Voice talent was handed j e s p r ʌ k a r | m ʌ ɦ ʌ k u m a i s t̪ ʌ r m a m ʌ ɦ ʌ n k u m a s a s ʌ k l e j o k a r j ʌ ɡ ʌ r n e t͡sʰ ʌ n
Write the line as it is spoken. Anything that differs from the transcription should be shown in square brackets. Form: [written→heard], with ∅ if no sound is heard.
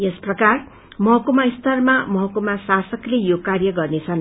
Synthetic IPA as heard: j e s p r ʌ k a r | m ʌ ɦ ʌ k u m a i s t̪ ʌ r m a m ʌ ɦ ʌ [n→∅] k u m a s a s ʌ k l e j o k a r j ʌ ɡ ʌ r n e t͡sʰ ʌ n